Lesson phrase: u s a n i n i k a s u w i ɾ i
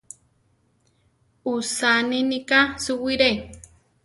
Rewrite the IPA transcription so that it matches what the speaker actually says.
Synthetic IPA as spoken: u s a n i n i k a s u w i ɾ e